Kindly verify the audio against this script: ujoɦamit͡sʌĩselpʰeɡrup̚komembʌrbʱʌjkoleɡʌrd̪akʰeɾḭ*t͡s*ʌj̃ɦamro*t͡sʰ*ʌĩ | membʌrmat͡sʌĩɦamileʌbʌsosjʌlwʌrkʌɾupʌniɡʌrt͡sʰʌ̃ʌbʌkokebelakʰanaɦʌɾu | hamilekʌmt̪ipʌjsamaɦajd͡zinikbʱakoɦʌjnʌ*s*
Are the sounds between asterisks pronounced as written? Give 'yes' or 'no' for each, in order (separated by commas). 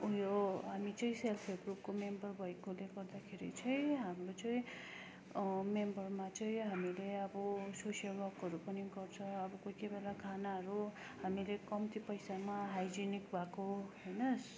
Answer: no, no, yes